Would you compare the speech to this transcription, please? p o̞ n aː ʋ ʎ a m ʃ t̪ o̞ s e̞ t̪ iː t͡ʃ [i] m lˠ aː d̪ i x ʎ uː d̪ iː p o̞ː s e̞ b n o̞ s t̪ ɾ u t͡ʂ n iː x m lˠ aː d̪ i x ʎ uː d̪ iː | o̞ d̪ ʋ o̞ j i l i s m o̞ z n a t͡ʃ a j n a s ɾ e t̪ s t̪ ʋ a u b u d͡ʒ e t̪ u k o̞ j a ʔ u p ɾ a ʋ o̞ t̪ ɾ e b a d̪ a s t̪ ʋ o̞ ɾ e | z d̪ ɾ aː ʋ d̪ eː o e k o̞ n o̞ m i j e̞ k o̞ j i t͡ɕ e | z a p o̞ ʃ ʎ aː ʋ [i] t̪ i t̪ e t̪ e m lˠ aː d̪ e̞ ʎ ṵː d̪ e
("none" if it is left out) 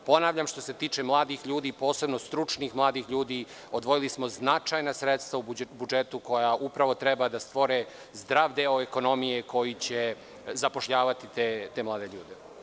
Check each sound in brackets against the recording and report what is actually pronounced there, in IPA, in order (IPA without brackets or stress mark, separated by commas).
e, a